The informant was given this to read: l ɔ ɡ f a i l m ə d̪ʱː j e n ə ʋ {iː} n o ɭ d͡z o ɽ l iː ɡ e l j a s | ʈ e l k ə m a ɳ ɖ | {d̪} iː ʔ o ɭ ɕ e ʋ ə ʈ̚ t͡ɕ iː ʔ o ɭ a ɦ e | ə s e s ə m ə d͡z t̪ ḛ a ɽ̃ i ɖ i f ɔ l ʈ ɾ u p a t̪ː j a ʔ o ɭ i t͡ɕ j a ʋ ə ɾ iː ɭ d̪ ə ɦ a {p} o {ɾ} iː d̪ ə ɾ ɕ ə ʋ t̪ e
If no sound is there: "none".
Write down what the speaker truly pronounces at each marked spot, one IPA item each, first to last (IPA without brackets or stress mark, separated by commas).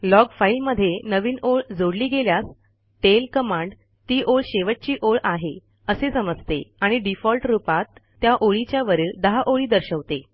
iː, t̪, ʔ, ɭ